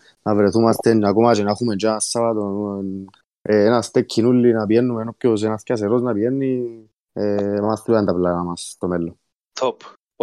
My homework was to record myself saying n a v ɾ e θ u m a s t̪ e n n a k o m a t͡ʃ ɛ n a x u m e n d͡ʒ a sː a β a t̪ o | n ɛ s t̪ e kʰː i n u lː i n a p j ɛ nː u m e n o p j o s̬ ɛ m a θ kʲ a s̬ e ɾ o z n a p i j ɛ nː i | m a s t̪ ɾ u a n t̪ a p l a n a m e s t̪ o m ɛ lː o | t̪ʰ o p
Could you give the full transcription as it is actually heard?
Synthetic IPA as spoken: n a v ɾ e θ u m a s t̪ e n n a k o m a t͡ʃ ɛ n a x u m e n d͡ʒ a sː a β a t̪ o | n a s t̪ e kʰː i n u lː i n a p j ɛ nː u m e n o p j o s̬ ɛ n a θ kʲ a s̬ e ɾ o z n a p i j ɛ nː i | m a s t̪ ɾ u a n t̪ a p l a n a m a s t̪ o m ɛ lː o | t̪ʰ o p